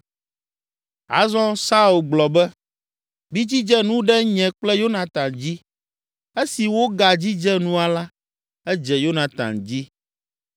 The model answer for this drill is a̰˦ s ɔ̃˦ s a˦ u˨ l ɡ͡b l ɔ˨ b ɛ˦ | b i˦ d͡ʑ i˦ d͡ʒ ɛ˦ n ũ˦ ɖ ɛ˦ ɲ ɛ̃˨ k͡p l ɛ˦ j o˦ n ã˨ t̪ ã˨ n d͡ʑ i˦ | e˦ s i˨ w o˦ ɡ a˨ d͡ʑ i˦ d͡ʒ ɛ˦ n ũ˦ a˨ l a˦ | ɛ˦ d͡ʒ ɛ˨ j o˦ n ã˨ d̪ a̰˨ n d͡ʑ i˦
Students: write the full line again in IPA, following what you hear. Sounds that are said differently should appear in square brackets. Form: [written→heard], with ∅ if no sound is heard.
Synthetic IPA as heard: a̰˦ [s→z] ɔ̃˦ s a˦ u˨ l ɡ͡b l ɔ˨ b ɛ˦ | b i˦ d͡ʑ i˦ d͡ʒ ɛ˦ n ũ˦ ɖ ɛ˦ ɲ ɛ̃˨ k͡p l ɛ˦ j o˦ n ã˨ t̪ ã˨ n d͡ʑ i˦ | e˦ s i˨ w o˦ ɡ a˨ d͡ʑ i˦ d͡ʒ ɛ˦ n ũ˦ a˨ l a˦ | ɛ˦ d͡ʒ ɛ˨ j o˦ n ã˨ [d̪→t̪] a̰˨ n d͡ʑ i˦